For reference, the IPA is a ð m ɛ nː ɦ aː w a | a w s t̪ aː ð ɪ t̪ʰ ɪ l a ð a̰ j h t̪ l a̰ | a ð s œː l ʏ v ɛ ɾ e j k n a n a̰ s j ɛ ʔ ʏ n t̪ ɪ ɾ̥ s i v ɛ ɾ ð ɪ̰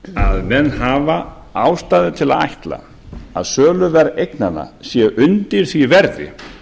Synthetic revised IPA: a ð m ɛ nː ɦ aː v a | a w s t̪ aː ð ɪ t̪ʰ ɪ l a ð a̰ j h t̪ l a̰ | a ð s œː l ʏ v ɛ ɾ e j k n a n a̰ s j ɛ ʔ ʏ n t̪ ɪ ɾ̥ θ i v ɛ ɾ ð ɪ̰